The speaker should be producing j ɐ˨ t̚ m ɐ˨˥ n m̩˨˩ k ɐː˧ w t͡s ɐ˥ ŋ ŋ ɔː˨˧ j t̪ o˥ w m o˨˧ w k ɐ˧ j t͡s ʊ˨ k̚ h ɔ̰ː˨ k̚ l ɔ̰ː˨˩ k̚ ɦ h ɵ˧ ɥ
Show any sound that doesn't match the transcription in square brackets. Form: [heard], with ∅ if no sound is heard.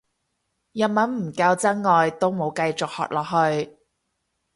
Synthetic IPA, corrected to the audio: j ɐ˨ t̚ m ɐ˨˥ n m̩˨˩ k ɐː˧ w t͡s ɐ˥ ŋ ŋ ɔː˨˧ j t̪ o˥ w m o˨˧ w k ɐ˧ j t͡s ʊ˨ k̚ h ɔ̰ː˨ k̚ l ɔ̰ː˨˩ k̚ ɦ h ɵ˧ ɥ

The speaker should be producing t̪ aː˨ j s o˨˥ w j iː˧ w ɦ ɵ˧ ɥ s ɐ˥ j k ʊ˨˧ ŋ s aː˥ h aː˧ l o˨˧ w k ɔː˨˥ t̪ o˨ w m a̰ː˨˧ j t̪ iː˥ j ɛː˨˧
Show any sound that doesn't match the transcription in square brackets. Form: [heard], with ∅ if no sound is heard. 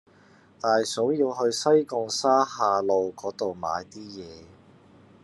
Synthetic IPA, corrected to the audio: t̪ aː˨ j s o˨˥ w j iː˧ w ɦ ɵ˧ ɥ s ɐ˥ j k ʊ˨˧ ŋ s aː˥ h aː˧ l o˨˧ w k ɔː˨˥ t̪ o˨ w m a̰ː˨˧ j t̪ iː˥ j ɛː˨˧

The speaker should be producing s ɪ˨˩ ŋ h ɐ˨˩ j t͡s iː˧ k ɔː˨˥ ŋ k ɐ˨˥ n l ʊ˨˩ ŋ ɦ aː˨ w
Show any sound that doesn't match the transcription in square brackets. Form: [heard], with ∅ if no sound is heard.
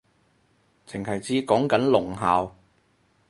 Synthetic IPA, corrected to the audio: [t͡s] ɪ˨˩ ŋ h ɐ˨˩ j t͡s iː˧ k ɔː˨˥ ŋ k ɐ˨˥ n l ʊ˨˩ ŋ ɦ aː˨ w

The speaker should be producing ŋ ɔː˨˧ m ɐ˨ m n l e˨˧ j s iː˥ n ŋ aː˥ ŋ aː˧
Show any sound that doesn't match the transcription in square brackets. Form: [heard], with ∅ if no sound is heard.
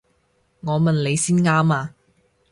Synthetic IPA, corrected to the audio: ŋ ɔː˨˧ m ɐ˨ [∅] n l e˨˧ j s iː˥ n ŋ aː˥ [m] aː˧

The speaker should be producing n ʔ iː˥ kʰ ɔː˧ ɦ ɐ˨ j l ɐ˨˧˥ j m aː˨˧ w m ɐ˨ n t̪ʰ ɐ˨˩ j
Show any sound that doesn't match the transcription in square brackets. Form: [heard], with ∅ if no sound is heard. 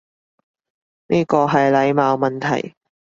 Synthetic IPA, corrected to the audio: n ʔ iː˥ [k] ɔː˧ ɦ ɐ˨ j l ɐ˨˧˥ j m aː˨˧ w m ɐ˨ n t̪ʰ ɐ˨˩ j

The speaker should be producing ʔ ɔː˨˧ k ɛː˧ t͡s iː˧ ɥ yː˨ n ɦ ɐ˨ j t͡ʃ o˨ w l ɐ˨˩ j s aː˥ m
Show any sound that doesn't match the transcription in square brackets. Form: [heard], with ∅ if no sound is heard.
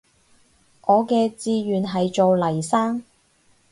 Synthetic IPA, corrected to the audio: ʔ ɔː˨˧ k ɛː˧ t͡s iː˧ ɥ yː˨ n ɦ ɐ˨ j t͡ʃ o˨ w l ɐ˨˩ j s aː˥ [ŋ]

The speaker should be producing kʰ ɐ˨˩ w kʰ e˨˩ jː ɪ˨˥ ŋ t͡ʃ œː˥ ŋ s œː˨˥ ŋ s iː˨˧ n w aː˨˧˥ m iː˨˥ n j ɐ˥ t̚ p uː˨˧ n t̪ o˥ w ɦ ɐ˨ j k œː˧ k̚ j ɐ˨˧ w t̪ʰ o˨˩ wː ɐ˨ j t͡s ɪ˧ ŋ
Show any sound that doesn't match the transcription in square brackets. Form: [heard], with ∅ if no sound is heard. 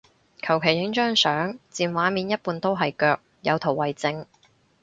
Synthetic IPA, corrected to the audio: kʰ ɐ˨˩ w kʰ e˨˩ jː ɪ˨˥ ŋ t͡ʃ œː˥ ŋ s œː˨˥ ŋ [t͡s] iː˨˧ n w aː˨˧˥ m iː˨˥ n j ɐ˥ t̚ p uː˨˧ n t̪ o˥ w ɦ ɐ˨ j k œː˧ k̚ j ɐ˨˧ w t̪ʰ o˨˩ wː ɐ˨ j t͡s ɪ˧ ŋ

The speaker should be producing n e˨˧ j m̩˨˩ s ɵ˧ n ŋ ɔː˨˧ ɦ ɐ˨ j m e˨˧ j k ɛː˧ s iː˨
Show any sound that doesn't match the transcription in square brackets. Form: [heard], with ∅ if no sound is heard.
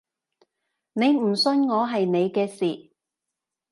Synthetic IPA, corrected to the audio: n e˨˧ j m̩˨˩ s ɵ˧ n ŋ ɔː˨˧ ɦ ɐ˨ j [n] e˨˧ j k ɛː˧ s iː˨

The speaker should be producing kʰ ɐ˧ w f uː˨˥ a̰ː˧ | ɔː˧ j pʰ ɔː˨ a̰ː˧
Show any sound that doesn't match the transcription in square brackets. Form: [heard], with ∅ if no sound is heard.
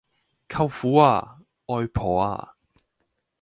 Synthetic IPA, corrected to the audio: kʰ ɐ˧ w f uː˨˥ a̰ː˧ | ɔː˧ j pʰ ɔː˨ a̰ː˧

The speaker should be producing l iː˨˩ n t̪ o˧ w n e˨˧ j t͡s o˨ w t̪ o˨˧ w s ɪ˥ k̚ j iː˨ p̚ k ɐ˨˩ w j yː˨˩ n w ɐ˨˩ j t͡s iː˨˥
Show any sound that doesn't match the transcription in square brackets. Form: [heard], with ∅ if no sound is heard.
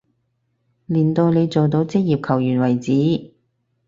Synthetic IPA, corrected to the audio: l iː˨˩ n t̪ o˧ w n e˨˧ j t͡s o˨ w t̪ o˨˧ w [t͡s] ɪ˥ k̚ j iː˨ p̚ [kʰ] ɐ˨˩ w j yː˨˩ n w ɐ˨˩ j t͡s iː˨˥

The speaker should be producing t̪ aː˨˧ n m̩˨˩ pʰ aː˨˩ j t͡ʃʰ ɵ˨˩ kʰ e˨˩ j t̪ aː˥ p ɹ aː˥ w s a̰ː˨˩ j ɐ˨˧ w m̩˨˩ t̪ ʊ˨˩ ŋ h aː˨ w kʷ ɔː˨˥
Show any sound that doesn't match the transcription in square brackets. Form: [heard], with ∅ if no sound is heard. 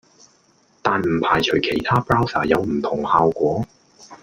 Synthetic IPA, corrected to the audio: t̪ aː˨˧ n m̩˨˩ pʰ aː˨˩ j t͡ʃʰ ɵ˨˩ kʰ e˨˩ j [t̪ʰ] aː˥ p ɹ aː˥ w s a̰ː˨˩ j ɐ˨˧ w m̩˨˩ [t̪ʰ] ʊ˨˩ ŋ h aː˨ w kʷ ɔː˨˥

